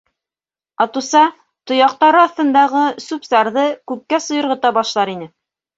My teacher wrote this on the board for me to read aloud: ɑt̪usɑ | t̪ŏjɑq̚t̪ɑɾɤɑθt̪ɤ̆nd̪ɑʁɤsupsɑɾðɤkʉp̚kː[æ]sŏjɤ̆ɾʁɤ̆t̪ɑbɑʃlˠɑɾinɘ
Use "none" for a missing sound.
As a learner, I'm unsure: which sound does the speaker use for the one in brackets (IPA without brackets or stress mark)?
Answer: æ